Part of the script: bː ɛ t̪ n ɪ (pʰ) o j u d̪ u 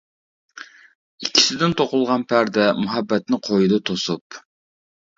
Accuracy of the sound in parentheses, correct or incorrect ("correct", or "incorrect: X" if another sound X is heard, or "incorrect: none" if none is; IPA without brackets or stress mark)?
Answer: incorrect: qʰ